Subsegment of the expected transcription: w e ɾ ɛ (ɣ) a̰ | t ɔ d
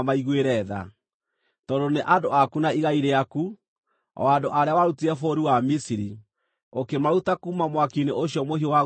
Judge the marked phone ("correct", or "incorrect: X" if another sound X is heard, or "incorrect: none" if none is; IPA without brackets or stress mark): incorrect: ð